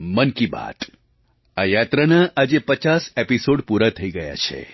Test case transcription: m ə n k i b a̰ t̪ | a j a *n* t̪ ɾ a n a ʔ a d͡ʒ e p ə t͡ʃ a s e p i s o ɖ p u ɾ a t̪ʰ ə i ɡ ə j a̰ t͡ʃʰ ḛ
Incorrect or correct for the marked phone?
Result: incorrect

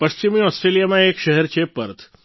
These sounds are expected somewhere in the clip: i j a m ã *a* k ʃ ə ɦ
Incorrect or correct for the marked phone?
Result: incorrect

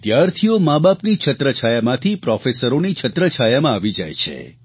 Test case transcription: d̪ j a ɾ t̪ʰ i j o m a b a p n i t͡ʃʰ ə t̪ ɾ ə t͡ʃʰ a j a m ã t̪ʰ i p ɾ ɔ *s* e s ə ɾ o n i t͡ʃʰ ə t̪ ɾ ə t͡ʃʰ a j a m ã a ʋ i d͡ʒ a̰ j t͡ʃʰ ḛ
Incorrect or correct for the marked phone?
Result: incorrect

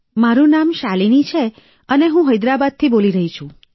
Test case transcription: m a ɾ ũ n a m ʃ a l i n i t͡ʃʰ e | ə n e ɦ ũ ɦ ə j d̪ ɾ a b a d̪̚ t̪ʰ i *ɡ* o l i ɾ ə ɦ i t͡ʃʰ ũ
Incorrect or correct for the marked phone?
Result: incorrect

